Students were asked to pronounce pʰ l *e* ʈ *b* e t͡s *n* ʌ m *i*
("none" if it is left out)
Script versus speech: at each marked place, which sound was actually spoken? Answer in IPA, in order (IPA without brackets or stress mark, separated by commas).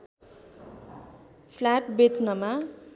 a, b, n, a